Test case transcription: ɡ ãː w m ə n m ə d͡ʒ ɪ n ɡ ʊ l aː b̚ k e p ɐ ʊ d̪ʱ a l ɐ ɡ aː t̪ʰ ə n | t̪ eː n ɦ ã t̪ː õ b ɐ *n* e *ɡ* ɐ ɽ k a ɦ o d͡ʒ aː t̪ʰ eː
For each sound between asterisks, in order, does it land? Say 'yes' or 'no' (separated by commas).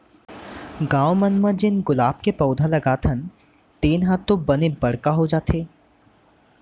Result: yes, no